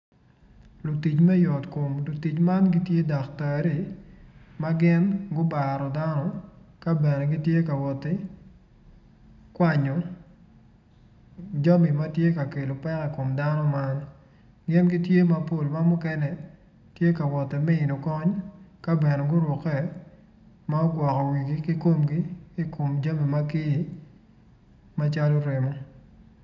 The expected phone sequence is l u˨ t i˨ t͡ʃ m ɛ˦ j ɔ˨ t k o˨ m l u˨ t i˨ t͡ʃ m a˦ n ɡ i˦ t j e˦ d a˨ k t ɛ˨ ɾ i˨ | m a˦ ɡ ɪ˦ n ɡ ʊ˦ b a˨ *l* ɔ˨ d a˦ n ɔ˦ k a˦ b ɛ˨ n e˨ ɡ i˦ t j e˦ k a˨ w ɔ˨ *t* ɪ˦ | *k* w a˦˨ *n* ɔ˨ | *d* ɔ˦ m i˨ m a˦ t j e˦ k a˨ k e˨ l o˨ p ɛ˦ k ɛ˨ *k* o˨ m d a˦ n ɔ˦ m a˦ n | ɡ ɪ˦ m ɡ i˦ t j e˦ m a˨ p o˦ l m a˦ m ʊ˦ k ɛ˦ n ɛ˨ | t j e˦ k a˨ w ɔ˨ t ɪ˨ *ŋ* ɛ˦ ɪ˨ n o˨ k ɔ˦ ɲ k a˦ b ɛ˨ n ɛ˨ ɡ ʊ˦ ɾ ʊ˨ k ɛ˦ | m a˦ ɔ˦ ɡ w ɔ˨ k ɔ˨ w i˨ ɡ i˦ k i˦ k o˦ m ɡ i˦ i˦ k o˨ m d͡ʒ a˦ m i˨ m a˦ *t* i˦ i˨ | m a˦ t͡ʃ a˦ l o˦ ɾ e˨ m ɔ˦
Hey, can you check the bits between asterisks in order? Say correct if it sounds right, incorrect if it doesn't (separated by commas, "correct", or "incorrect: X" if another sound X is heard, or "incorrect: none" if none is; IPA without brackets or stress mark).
incorrect: ɾ, correct, correct, incorrect: ɲ, incorrect: d͡ʒ, correct, incorrect: m, incorrect: k